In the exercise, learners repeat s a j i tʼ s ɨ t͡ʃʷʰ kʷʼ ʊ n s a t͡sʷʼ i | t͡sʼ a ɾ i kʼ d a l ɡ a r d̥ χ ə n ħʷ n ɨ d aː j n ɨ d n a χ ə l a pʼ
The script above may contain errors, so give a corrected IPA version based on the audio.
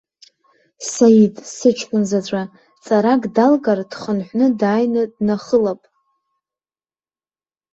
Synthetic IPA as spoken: s a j i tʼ s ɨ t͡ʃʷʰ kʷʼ ʊ n z a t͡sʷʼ a | t͡sʼ a ɾ a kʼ d a l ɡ a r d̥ χ ə n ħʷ n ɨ d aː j n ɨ d n a χ ə l a pʼ